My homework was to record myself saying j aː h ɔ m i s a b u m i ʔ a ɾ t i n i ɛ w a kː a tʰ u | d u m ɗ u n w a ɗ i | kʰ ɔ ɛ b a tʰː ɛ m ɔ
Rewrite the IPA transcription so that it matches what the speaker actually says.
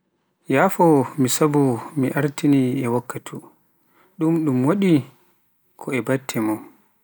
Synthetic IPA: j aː f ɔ m i s a b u m i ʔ a ɾ t i n i ɛ w a kː a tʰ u | ɗ u m ɗ u m w a ɗ i | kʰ ɔ ɛ b a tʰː ɛ m ɔ